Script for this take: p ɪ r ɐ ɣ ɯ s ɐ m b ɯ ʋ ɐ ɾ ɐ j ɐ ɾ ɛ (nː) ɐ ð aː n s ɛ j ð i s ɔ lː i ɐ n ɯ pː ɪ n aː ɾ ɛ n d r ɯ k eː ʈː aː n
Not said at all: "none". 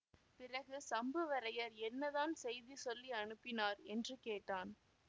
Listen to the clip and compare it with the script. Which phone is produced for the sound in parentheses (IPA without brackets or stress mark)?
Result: nː